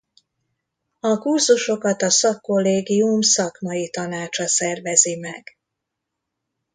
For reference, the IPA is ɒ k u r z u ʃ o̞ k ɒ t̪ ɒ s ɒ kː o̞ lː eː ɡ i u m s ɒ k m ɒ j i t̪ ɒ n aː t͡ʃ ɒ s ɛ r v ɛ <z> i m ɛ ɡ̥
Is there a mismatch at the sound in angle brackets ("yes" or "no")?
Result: no